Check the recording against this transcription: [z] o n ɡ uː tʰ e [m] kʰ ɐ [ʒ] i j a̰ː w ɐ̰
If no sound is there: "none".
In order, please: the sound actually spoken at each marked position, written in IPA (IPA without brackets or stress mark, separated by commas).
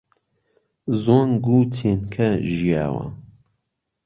z, n, ʒ